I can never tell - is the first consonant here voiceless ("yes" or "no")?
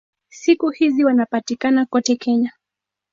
yes